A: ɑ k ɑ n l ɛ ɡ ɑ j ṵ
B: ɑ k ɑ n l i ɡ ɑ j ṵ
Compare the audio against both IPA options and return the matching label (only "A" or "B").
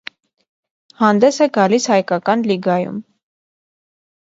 B